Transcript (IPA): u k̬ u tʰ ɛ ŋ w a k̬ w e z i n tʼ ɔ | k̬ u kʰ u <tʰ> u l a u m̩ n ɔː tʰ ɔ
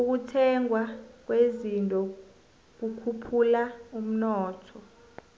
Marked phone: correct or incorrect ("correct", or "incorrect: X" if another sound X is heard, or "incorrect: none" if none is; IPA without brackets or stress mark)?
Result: incorrect: pʰ